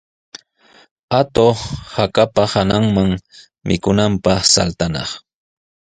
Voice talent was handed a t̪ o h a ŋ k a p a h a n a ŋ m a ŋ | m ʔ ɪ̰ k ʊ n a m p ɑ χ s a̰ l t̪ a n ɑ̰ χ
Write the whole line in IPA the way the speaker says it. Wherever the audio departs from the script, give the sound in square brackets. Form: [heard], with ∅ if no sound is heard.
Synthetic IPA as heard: a t̪ o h a [∅] k a p a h a n a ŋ m a ŋ | m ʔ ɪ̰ k ʊ n a m p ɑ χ s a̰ l t̪ a n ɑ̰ χ